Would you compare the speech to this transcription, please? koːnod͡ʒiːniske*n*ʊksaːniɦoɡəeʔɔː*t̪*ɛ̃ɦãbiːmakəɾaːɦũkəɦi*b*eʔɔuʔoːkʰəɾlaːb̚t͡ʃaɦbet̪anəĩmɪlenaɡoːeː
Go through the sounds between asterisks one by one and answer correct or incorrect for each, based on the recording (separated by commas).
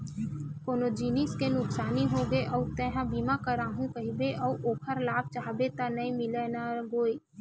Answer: correct, correct, correct